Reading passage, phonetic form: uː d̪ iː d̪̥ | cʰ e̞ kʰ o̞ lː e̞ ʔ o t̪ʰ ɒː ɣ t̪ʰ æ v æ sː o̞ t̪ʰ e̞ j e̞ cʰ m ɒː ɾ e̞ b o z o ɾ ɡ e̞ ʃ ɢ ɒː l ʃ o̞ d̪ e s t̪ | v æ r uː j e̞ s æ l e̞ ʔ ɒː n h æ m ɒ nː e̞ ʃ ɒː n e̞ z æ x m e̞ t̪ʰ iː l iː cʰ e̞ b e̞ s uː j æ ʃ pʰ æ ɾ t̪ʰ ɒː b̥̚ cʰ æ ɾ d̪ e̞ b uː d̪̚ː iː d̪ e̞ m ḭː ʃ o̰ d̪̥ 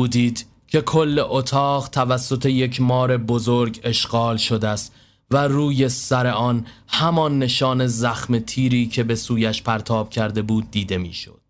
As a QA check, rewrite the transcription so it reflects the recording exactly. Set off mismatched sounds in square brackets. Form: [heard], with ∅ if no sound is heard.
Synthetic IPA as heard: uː d̪ iː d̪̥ | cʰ e̞ kʰ o̞ lː e̞ ʔ o t̪ʰ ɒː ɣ t̪ʰ æ v æ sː o̞ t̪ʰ e̞ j e̞ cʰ m ɒː ɾ e̞ b o z o ɾ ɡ e̞ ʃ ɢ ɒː l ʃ o̞ d̪ [æ] s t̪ | v æ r uː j e̞ s æ [ɾ] e̞ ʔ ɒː n h æ m ɒ nː e̞ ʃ ɒː n e̞ z æ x m e̞ t̪ʰ iː [ɾ] iː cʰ e̞ b e̞ s uː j æ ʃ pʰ æ ɾ t̪ʰ ɒː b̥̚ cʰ æ ɾ d̪ e̞ b uː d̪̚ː iː d̪ e̞ m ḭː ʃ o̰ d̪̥